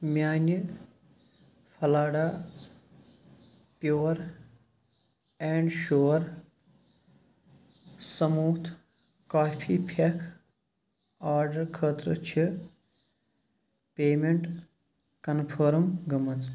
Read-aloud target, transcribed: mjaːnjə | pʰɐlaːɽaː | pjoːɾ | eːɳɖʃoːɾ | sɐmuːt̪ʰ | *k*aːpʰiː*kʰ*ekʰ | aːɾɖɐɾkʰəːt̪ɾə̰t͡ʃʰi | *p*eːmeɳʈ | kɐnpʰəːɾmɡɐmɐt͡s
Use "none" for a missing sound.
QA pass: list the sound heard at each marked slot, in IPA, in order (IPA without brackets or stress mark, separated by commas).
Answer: k, pʰ, p